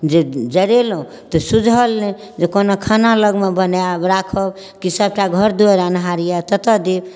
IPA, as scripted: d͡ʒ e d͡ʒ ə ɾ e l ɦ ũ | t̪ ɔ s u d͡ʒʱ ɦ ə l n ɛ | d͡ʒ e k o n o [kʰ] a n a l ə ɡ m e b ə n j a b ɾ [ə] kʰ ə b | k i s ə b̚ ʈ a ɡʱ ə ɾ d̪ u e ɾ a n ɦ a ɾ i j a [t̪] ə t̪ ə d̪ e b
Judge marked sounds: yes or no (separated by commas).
yes, no, yes